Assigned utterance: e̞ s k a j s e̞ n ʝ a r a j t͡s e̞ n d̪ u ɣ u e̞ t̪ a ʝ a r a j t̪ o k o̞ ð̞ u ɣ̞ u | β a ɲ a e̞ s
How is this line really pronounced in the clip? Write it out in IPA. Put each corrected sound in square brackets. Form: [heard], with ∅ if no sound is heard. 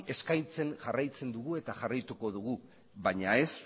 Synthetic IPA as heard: e̞ s k a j [t͡s] e̞ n ʝ a r a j t͡s e̞ n d̪ u ɣ u e̞ t̪ a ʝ a r a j t̪ [u] k o̞ ð̞ u ɣ̞ u | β a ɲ a e̞ s